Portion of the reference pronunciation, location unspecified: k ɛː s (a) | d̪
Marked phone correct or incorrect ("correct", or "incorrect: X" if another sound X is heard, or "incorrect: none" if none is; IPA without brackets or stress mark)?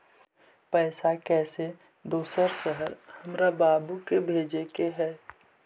incorrect: e